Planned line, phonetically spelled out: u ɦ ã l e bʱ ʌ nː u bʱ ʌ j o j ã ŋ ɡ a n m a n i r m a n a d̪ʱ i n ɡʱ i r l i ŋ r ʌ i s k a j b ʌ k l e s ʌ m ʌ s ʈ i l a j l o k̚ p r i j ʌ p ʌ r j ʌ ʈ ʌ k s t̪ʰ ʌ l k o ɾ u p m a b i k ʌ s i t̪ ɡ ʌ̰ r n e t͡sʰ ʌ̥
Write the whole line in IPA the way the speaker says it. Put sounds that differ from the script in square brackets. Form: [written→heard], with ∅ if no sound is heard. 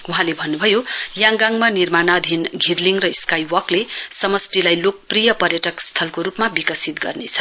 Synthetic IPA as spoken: u ɦ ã l e bʱ ʌ nː u bʱ ʌ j o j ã ŋ ɡ a [n→ŋ] m a n i r m a n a d̪ʱ i n ɡʱ i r l i ŋ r ʌ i s k a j [b→w] ʌ k l e s ʌ m ʌ s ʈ i l a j l o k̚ p r i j ʌ p ʌ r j ʌ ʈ ʌ k s t̪ʰ ʌ l k o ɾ u p m a b i k ʌ s i t̪ ɡ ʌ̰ r n e t͡sʰ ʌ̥

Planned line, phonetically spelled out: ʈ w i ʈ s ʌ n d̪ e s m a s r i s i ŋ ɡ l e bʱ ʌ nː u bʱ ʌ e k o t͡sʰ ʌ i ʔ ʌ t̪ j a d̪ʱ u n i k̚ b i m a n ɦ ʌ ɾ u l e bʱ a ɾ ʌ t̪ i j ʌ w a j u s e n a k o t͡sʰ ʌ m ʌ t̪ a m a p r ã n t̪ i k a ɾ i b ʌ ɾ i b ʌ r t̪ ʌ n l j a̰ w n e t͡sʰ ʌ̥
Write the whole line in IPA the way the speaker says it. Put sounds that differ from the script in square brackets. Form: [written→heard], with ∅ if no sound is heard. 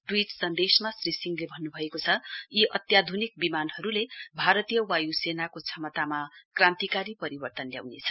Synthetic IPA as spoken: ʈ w i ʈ s ʌ n d̪ e s m a s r i s i ŋ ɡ l e bʱ ʌ nː u bʱ ʌ e k o t͡sʰ ʌ i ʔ ʌ t̪ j a d̪ʱ u n i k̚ b i m a n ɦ ʌ ɾ u l e bʱ a ɾ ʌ t̪ i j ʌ w a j u s e n a k o t͡sʰ ʌ m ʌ t̪ a m a [p→k] r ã n t̪ i k a ɾ i [b→p] ʌ ɾ i b ʌ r t̪ ʌ n l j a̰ w n e t͡sʰ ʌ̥

